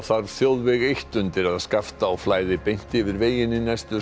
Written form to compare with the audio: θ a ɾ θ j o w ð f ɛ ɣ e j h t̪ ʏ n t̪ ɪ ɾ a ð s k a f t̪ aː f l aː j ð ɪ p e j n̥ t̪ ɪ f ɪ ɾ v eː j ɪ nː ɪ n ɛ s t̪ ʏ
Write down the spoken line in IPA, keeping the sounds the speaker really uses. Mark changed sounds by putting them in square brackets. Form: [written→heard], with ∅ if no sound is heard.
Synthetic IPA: θ a ɾ θ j o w ð [f→v] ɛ ɣ e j h t̪ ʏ n t̪ ɪ ɾ a ð s k a f t̪ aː f l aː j ð ɪ p e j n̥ t̪ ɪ [f→v] ɪ ɾ v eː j ɪ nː ɪ n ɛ s t̪ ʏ